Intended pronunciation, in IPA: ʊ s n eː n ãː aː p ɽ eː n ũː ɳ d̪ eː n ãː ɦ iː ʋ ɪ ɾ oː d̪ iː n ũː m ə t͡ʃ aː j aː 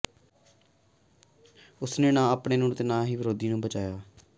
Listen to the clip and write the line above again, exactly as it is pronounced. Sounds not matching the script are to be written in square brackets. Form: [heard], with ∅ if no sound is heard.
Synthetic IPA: ʊ s n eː n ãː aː p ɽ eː n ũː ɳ [t̪] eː n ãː ɦ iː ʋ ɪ ɾ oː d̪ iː n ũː [b] ə t͡ʃ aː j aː